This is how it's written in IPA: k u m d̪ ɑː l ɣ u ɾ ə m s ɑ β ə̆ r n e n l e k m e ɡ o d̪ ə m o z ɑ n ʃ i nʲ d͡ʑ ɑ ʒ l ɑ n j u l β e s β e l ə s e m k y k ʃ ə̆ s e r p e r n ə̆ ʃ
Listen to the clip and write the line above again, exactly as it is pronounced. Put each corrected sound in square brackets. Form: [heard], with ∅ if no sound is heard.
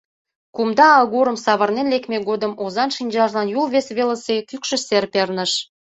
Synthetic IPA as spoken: k u m d̪ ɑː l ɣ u ɾ ə m s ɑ β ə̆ r n e n l e k m e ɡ o d̪ ə m o z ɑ n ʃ i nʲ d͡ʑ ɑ ʒ l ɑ n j u l β e s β e l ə s e [∅] k y k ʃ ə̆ s e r p e r n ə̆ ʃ